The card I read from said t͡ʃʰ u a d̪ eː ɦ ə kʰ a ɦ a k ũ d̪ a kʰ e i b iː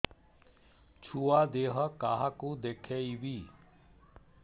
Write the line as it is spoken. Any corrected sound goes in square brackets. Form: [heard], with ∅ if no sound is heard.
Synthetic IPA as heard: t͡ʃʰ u a d̪ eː ɦ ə [k] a ɦ a k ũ d̪ [e] kʰ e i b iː